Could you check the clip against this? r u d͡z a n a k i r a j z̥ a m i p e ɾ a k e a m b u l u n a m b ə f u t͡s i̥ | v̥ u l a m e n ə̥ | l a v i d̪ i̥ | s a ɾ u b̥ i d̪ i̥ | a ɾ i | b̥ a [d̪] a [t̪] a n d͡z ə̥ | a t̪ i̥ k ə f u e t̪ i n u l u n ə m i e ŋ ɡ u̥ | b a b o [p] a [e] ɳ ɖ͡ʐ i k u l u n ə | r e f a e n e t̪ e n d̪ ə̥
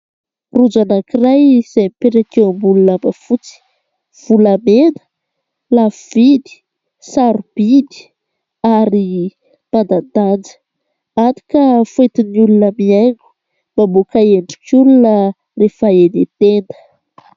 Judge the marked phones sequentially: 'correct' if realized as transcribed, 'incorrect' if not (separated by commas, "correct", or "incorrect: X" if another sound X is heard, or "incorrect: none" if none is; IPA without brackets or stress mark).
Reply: correct, incorrect: d̪, incorrect: k, correct